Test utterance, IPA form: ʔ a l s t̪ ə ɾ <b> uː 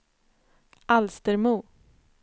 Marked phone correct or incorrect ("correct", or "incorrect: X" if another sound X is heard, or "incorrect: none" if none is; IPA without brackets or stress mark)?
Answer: incorrect: m